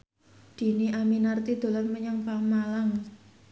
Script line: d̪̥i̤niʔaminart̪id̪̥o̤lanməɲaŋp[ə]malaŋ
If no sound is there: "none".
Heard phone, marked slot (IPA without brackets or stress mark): a